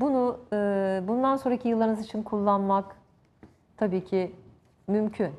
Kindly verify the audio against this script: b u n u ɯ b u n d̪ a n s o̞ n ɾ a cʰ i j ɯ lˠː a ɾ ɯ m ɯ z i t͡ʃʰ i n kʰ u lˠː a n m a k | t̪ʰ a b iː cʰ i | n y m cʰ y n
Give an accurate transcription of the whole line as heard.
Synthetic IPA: b u n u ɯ b u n d̪ a n s o̞ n ɾ a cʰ i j ɯ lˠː a ɾ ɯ n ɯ z i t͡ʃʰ i n kʰ u lˠː a n m a k | t̪ʰ a b iː cʰ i | m y m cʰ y n